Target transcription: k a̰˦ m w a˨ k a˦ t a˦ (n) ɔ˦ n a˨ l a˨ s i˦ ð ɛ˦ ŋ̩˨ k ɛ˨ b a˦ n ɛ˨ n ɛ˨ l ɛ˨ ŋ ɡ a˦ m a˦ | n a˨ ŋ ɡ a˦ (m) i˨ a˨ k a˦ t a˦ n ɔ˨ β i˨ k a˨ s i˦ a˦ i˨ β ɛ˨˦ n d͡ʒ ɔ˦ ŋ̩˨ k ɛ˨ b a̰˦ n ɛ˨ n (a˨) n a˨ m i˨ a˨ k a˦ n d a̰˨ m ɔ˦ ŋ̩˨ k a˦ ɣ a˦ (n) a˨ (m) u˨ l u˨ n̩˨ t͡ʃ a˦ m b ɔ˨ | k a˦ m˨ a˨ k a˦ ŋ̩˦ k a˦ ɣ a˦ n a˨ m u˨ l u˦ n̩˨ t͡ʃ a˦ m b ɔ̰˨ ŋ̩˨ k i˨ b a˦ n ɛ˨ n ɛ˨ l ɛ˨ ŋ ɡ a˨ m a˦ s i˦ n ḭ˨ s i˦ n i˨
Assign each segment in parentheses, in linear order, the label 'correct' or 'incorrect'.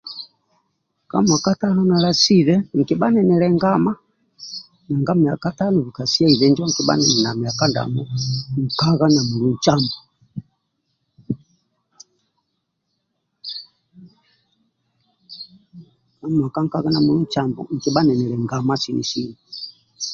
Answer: correct, correct, incorrect: ɛ˨, correct, correct

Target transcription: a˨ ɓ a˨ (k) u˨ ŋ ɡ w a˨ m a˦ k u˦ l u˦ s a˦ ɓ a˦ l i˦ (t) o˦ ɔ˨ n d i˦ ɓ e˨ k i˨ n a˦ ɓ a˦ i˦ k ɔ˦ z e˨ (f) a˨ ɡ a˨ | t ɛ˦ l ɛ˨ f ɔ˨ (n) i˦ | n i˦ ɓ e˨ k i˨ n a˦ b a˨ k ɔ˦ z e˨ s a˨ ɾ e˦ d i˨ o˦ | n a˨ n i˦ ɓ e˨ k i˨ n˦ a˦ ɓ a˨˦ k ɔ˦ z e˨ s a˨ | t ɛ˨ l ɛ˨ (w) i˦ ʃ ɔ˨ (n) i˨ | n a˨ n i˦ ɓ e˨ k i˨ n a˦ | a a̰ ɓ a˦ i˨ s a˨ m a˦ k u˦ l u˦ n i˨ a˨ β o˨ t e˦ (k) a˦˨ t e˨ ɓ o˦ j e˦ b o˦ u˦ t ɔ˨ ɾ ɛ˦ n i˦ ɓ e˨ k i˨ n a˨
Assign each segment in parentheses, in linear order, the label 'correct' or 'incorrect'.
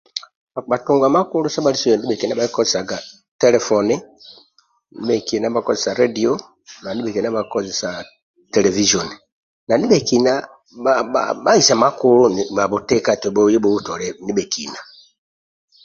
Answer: incorrect: t, incorrect: s, incorrect: s, correct, incorrect: v, correct, correct

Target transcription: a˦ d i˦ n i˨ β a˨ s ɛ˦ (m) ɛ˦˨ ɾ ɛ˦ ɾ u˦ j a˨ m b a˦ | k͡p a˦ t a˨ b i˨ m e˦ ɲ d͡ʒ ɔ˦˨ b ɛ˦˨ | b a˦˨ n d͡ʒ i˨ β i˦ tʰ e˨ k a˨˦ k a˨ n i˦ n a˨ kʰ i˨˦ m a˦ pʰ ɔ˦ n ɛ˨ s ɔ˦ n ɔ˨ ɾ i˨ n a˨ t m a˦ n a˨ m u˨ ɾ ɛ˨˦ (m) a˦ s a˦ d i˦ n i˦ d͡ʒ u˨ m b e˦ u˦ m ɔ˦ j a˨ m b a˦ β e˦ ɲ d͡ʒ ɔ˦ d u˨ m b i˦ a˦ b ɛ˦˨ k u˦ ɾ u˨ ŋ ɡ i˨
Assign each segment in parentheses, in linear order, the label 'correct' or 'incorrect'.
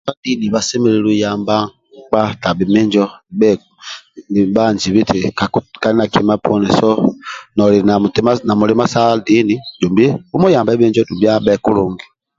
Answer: correct, correct

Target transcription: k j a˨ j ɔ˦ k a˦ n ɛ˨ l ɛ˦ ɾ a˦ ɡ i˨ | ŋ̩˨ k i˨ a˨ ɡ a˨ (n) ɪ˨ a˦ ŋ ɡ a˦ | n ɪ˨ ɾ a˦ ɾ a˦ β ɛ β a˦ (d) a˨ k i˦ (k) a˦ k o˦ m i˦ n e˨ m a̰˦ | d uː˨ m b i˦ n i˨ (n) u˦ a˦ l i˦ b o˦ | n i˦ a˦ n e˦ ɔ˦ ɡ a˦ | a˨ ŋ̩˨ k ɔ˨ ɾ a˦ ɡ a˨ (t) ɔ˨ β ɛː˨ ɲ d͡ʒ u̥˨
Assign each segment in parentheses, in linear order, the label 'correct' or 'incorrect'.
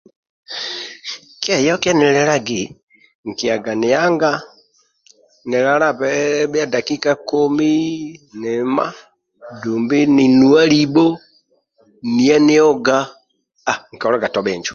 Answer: correct, correct, correct, correct, correct

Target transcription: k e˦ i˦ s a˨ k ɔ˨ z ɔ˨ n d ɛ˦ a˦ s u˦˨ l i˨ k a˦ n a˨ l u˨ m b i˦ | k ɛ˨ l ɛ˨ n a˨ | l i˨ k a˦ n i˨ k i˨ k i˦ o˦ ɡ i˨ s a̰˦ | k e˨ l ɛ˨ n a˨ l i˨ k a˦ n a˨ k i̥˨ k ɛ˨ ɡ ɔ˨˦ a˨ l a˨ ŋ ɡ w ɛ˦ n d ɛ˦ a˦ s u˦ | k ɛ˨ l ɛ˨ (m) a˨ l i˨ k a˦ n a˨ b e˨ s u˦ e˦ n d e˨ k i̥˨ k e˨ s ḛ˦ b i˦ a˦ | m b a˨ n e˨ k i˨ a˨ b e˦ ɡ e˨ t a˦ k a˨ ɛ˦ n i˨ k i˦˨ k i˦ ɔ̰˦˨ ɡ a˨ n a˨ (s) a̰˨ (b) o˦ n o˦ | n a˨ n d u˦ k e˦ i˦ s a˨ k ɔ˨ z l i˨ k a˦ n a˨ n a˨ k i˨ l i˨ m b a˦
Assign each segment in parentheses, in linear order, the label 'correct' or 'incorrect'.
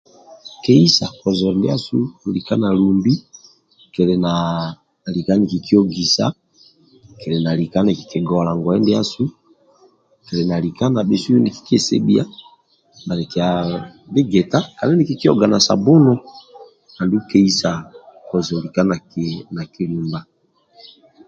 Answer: incorrect: n, correct, correct

